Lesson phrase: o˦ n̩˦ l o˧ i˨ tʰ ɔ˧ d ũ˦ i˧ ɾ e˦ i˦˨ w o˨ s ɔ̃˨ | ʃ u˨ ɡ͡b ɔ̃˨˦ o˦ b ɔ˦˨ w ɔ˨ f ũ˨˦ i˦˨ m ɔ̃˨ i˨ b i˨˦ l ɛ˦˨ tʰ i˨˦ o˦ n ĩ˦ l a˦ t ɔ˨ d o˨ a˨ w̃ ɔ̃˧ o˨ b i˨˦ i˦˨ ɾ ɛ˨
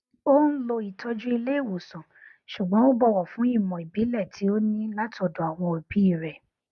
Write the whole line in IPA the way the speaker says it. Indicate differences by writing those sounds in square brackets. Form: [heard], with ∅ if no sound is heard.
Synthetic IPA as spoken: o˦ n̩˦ l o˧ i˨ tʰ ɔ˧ [d͡ʒ] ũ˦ i˧ [l] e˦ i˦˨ w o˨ s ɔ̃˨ | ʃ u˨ ɡ͡b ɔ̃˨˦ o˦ b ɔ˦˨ w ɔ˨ f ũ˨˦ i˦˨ m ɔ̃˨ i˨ b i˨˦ l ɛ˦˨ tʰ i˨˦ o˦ n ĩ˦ l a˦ t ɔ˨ d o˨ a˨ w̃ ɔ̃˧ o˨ b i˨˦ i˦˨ ɾ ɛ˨

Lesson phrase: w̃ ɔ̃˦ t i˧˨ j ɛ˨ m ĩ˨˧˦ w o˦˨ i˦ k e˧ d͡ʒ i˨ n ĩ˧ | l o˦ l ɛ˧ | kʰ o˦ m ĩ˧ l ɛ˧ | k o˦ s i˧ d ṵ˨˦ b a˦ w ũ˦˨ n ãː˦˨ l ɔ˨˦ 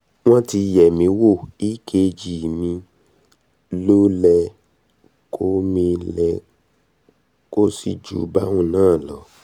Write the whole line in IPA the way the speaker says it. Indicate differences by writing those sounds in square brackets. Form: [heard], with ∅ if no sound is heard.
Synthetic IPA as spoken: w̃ ɔ̃˦ t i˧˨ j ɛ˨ m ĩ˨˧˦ w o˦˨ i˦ k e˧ d͡ʒ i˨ [m] ĩ˧ | l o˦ l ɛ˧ | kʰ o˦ m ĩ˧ l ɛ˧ | k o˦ s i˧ [d͡ʒ] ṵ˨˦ b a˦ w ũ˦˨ n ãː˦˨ l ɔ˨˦

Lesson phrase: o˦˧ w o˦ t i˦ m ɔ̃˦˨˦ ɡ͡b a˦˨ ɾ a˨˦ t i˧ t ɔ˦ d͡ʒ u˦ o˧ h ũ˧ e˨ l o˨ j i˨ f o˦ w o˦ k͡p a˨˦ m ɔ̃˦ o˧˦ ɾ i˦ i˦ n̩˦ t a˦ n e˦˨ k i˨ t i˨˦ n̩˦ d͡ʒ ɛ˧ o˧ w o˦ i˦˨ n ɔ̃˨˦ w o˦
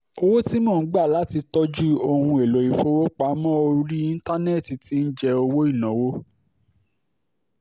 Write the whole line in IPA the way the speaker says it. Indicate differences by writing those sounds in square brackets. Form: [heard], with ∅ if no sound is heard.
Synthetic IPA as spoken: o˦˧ w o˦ t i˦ m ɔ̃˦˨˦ ɡ͡b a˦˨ [l] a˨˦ t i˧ t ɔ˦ d͡ʒ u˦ o˧ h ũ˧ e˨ l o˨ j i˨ f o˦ w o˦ k͡p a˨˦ m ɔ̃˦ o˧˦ ɾ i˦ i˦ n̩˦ t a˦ n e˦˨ [t] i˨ t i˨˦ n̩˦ d͡ʒ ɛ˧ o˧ w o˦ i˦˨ n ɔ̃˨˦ w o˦

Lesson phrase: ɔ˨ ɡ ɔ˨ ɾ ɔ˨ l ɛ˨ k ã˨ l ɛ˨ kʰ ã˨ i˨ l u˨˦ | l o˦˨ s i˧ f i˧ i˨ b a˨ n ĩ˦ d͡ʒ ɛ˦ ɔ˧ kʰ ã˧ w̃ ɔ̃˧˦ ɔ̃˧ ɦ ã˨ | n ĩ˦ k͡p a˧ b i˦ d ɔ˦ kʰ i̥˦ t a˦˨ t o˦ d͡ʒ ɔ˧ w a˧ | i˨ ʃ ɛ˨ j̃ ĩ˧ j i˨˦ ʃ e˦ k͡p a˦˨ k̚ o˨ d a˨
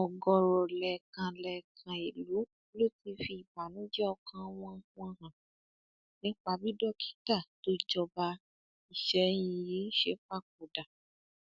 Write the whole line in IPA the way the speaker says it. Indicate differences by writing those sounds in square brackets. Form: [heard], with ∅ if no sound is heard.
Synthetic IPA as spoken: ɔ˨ ɡ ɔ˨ ɾ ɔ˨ l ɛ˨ k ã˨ l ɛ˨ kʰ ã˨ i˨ l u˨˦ | l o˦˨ [t] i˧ f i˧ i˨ b a˨ n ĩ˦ d͡ʒ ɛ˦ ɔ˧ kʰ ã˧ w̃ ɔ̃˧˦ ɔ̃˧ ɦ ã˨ | n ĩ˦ k͡p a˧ b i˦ d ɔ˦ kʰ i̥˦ t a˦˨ t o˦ d͡ʒ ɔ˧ [b] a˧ | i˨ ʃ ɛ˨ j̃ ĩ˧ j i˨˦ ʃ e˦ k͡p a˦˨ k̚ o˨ d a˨

